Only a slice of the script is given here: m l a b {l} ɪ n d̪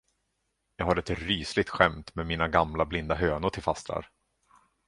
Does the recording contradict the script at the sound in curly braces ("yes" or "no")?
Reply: no